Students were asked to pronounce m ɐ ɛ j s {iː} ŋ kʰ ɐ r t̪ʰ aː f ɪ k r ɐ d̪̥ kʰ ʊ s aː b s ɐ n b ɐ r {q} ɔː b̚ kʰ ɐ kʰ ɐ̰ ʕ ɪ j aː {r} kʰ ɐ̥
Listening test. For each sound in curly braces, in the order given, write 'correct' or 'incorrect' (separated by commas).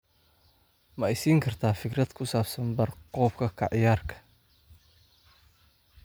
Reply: correct, correct, correct